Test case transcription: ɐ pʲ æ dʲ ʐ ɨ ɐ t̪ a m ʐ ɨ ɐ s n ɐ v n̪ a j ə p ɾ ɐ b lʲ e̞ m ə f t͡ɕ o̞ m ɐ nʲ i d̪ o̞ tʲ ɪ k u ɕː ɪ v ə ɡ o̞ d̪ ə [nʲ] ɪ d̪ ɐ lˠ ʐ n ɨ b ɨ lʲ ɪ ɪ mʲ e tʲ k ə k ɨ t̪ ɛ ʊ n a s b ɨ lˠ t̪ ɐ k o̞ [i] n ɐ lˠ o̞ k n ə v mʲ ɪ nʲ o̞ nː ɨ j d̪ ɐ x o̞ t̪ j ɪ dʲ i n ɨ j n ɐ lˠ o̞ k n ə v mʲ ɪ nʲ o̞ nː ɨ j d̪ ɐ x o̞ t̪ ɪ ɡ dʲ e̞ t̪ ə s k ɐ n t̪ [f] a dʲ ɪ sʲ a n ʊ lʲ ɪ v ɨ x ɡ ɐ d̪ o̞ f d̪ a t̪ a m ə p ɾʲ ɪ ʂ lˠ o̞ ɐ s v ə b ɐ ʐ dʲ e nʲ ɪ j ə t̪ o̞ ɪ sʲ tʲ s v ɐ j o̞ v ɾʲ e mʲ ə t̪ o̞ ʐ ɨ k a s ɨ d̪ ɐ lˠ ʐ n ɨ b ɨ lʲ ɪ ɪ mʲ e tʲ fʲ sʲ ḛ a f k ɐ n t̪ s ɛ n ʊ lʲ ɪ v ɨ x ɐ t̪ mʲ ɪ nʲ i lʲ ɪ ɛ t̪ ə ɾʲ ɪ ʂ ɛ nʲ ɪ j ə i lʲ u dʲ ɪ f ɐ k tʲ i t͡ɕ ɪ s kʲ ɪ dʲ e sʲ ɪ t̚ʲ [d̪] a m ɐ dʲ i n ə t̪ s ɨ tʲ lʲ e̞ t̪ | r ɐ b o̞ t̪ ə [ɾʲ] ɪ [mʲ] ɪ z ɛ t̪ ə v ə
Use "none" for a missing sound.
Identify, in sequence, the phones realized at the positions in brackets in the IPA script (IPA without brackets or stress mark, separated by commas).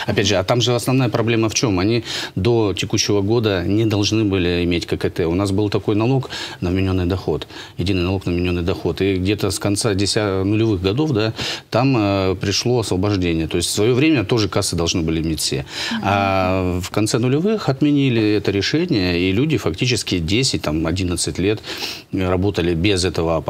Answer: nʲ, j, s, t̪, lʲ, bʲ